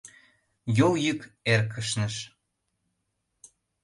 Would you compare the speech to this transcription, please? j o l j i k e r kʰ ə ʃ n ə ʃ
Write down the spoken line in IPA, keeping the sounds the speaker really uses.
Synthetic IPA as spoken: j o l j y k e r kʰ ə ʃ n ə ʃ